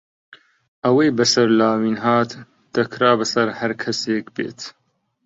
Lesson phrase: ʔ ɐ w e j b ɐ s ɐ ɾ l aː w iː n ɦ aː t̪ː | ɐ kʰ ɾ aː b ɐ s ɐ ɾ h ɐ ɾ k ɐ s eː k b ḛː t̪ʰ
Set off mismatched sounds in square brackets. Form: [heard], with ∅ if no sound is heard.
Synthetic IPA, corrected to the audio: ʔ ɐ w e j b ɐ s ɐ ɾ l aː w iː n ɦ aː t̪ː | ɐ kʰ ɾ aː b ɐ s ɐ ɾ h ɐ ɾ [kʰ] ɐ s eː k b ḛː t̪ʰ